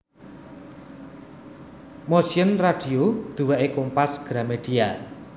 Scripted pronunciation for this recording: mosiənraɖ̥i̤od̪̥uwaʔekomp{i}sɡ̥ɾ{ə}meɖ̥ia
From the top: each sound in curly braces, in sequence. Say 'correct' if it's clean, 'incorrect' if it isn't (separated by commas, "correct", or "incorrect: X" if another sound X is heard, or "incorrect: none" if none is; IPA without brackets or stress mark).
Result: incorrect: a, incorrect: a